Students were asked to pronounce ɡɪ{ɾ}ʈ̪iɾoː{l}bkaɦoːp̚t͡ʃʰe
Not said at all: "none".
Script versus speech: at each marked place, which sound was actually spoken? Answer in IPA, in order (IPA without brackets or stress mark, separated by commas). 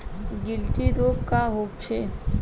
l, none